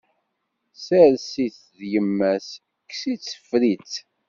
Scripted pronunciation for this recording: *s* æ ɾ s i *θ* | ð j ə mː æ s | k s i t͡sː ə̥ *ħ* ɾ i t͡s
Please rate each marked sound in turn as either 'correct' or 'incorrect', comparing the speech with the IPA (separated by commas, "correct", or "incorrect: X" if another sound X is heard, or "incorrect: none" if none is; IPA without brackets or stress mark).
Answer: correct, correct, incorrect: f